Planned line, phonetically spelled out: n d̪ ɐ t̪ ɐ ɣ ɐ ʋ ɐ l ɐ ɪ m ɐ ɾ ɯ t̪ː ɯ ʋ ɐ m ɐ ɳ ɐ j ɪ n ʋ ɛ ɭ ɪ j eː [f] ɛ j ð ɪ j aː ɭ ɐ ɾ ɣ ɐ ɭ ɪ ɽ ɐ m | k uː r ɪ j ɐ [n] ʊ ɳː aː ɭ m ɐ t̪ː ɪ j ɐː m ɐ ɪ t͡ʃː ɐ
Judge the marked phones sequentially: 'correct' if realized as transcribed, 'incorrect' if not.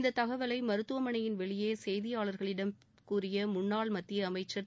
incorrect, incorrect

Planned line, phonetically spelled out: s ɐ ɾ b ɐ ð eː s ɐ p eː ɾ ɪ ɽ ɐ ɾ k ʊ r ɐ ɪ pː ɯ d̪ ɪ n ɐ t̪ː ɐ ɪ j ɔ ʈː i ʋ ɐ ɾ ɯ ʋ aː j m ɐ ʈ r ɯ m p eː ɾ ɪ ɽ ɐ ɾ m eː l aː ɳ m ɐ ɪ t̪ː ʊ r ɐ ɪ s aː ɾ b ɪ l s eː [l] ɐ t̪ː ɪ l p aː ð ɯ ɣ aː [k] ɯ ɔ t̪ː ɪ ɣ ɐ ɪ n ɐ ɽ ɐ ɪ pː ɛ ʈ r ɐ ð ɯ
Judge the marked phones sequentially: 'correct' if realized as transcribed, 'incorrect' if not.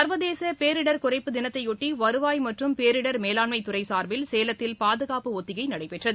correct, incorrect

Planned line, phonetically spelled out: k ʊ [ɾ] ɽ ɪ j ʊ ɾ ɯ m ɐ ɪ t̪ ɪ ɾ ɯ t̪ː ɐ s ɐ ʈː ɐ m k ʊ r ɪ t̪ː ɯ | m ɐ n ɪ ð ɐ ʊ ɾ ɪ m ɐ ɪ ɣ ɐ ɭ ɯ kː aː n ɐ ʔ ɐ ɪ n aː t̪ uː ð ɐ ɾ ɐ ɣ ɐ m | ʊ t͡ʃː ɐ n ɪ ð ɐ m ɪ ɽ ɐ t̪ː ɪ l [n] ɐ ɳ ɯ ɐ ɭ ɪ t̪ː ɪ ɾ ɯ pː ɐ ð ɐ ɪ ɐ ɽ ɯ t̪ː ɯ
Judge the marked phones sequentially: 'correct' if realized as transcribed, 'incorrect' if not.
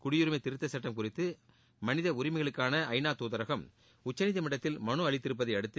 incorrect, incorrect

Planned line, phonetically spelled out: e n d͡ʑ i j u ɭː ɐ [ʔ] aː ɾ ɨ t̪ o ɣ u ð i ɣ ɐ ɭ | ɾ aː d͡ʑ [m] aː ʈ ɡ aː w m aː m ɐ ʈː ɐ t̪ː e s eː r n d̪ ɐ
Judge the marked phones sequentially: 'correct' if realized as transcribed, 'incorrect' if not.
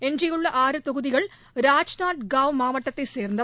correct, incorrect

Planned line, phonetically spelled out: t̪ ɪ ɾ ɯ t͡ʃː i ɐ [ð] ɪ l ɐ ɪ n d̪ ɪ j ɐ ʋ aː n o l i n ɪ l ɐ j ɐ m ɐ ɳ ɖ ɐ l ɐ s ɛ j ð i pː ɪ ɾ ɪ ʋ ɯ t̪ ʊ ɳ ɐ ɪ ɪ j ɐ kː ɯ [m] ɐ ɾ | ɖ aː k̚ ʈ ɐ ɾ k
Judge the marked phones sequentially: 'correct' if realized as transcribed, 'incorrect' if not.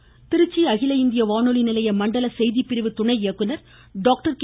incorrect, incorrect

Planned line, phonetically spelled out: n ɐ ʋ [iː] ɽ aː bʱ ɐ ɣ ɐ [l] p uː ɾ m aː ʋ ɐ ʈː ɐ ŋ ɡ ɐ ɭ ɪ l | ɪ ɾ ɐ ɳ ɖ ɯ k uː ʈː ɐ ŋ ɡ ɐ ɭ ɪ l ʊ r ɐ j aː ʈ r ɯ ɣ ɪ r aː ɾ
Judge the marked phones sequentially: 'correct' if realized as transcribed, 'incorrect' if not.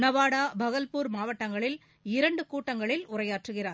incorrect, correct

